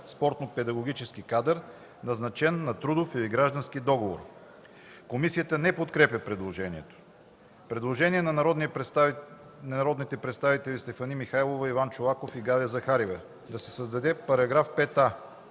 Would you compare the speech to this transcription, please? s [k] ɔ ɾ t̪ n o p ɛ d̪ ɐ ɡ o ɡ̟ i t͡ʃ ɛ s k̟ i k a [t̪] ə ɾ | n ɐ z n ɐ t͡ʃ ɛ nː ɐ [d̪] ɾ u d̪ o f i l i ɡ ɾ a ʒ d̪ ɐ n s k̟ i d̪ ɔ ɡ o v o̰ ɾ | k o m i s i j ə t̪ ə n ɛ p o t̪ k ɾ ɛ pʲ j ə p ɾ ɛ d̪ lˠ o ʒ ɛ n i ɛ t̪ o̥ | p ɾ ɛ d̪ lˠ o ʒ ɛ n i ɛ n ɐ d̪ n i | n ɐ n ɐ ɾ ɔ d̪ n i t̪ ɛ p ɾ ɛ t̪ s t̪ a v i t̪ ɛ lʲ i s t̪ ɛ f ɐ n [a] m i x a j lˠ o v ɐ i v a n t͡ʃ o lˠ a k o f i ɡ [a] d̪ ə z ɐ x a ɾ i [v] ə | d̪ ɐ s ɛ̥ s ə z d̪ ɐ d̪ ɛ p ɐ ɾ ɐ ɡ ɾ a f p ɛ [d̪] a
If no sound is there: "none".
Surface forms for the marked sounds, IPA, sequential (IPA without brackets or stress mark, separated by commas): p, d̪, t̪, i, a, v, t̪